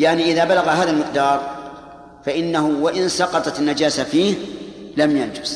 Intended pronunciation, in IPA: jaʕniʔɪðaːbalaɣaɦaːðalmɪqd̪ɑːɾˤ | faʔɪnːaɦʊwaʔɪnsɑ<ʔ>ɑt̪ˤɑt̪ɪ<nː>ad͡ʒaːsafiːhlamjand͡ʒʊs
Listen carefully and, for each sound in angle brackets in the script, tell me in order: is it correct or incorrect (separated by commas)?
incorrect, correct